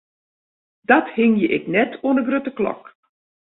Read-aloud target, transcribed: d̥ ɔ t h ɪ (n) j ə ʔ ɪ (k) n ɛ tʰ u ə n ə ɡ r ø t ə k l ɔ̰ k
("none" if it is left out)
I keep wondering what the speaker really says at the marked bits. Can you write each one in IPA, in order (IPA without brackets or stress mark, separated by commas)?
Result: ŋ, k